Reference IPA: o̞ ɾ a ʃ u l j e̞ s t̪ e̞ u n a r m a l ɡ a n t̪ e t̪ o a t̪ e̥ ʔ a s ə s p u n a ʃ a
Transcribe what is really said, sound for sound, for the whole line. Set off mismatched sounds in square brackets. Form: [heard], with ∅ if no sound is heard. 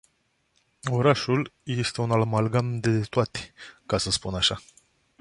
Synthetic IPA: o̞ ɾ a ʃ u l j e̞ s t̪ e̞ u n a [l] m a l ɡ a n [d̪] e t̪ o a t̪ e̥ [k] a s ə s p u n a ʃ a